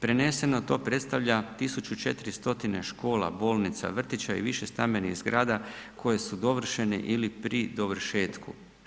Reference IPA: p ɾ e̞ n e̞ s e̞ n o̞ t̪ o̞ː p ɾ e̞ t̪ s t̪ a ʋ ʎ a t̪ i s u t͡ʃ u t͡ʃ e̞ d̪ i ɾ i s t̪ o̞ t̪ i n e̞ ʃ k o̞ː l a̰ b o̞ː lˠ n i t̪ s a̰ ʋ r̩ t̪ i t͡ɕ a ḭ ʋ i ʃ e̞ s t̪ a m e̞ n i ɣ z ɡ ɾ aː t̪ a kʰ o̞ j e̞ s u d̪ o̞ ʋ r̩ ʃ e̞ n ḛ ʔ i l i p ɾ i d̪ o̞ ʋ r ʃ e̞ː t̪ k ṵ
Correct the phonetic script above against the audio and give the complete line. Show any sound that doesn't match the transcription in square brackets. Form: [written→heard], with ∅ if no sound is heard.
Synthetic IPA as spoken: p ɾ e̞ n e̞ s e̞ n o̞ t̪ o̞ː p ɾ e̞ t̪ s t̪ a ʋ ʎ a t̪ i s u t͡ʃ u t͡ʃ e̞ [d̪→t̪] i ɾ i s t̪ o̞ t̪ i n e̞ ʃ k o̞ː l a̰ b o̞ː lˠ n i t̪ s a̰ ʋ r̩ t̪ i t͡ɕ a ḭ ʋ i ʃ e̞ s t̪ a m e̞ n i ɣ z ɡ ɾ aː [t̪→d̪] a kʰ o̞ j e̞ s u d̪ o̞ ʋ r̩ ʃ e̞ n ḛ ʔ i l i p ɾ i d̪ o̞ ʋ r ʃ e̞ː t̪ k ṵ